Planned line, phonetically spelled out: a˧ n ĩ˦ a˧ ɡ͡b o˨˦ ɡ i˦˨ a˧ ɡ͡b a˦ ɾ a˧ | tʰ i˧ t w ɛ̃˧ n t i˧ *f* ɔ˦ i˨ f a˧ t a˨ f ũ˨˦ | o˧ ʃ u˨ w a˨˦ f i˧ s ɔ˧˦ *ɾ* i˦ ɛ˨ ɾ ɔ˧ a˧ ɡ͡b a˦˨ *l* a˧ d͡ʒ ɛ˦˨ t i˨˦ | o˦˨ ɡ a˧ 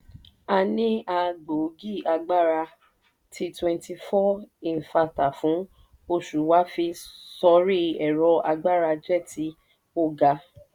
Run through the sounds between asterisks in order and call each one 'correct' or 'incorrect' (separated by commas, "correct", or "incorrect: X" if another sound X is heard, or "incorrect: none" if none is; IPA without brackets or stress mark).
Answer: correct, correct, incorrect: ɾ